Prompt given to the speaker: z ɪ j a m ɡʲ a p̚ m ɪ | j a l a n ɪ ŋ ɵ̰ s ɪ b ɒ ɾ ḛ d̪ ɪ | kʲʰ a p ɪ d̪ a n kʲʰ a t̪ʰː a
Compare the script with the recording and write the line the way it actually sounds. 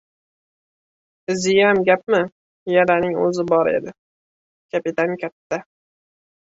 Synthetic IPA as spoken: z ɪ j a m ɡʲ a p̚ m ɪ | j a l a n ɪ ŋ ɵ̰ z ɪ b ɒ ɾ ḛ d̪ ɪ | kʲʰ a p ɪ t̪ a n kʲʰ a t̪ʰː a